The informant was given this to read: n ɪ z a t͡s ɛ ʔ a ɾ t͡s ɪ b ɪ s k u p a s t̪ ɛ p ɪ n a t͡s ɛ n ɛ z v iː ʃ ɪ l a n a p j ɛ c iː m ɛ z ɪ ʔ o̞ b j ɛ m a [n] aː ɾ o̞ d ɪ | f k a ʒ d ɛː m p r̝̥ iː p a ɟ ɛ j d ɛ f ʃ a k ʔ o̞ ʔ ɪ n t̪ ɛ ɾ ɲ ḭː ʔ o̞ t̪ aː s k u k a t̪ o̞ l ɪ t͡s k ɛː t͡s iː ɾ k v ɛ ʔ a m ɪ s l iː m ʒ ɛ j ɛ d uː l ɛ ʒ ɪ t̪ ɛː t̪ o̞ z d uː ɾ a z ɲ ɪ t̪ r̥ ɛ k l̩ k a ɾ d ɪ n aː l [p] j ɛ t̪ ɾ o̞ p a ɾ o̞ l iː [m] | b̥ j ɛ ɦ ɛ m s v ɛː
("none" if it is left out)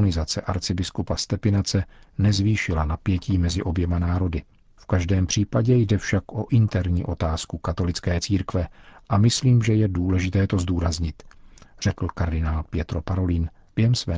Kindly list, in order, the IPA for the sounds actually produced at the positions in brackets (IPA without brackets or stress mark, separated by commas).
n, p, n